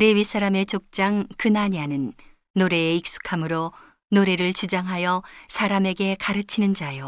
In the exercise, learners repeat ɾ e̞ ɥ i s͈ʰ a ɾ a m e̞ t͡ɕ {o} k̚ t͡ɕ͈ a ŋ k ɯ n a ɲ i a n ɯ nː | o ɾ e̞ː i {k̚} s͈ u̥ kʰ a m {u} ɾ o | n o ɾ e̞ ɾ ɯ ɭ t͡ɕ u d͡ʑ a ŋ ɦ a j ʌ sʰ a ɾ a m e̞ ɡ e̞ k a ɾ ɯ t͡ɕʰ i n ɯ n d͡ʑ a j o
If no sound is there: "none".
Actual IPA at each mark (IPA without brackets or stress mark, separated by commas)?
o, k̚, ɯ